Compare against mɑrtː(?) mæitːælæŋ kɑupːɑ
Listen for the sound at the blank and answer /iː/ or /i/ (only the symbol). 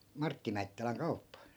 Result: i